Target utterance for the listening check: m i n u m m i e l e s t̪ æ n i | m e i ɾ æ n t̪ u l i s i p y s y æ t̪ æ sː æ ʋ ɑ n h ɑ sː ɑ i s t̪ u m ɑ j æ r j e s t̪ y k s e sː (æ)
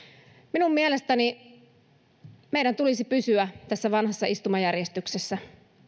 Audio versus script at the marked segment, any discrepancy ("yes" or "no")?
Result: no